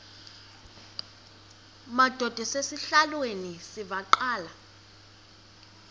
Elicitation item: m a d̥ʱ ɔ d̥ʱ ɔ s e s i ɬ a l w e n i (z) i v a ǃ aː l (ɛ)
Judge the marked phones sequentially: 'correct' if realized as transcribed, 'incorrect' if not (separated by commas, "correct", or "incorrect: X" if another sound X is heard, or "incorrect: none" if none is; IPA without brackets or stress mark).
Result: incorrect: s, incorrect: a